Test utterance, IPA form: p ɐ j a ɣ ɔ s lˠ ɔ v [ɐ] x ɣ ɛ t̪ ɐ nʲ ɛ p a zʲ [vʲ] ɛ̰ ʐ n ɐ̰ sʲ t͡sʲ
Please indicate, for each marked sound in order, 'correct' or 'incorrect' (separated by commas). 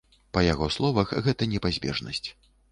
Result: correct, incorrect